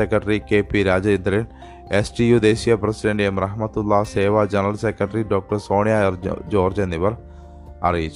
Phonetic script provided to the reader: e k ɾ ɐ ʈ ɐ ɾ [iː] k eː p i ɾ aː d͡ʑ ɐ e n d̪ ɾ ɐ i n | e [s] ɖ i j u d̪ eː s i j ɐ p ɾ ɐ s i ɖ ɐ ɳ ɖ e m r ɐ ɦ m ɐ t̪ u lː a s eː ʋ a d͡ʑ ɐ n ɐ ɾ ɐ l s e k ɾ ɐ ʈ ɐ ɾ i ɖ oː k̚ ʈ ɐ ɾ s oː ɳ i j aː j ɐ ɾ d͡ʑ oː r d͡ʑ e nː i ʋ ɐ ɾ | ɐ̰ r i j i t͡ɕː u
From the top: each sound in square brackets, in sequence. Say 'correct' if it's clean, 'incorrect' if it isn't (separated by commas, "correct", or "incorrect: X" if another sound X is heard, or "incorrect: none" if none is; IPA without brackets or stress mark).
incorrect: i, correct